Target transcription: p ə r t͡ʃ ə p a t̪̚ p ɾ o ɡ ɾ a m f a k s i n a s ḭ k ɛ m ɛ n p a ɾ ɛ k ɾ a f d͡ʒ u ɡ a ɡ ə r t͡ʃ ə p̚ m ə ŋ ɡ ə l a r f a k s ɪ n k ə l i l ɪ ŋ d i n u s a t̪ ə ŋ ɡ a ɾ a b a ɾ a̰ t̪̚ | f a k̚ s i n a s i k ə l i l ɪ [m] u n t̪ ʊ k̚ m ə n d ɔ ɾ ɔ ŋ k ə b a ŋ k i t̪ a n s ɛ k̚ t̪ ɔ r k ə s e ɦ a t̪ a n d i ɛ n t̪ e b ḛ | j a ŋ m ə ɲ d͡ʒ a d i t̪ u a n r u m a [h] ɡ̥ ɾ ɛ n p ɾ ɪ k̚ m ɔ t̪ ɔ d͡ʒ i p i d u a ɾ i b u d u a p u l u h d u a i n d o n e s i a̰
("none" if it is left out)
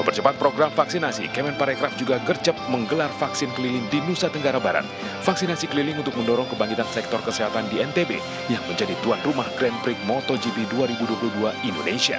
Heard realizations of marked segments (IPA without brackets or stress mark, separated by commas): ŋ, h